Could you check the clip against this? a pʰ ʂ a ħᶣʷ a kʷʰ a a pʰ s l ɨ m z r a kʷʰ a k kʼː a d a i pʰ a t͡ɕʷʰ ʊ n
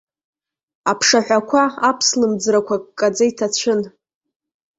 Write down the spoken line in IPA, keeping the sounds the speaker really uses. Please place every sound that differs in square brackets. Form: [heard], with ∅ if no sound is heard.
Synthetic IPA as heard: a pʰ ʂ a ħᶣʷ a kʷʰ a a pʰ s l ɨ m [d͡z] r a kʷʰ a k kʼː a [d͡z] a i [tʰ] a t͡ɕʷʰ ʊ n